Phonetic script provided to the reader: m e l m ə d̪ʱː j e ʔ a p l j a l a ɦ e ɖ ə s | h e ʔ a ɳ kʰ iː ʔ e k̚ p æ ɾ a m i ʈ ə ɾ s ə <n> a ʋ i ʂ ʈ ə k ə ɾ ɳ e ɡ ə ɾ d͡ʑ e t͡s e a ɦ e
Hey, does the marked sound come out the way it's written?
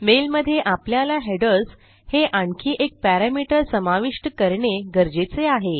no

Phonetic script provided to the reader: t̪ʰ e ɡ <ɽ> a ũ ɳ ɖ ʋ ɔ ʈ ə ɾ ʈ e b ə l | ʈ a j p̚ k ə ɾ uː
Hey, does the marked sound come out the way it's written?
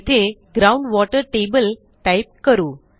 no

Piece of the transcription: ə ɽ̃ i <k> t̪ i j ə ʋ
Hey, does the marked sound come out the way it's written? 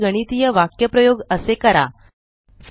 no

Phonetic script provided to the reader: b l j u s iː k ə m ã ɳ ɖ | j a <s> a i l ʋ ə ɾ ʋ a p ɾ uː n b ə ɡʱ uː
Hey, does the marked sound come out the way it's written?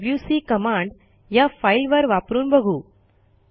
no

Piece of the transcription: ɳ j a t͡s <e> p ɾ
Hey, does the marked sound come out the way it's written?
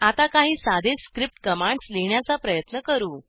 no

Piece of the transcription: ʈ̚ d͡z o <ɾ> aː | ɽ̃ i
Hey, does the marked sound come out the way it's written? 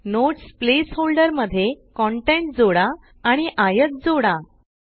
no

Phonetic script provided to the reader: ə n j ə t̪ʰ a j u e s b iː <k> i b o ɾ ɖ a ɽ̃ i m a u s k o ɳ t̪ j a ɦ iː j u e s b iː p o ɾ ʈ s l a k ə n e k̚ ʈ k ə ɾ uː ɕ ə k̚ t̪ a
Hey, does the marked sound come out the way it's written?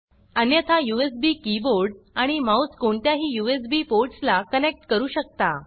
yes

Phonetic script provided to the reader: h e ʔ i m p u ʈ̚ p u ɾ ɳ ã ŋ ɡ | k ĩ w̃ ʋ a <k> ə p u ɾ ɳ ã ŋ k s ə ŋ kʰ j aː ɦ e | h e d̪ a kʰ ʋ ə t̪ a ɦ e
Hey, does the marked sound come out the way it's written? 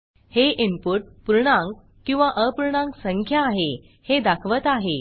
no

